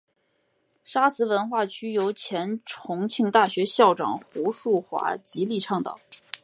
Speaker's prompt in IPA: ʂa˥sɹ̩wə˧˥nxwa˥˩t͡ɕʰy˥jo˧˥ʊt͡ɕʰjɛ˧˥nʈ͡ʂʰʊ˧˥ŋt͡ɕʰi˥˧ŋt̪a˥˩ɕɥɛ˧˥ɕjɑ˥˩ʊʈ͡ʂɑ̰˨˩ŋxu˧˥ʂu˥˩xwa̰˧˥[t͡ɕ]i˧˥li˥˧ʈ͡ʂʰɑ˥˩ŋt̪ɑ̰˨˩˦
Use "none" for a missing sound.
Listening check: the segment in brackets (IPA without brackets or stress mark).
t͡ɕ